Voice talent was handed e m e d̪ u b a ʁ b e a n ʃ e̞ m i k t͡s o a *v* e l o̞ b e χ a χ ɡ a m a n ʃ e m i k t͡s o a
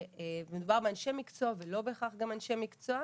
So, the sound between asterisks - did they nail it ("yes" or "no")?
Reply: yes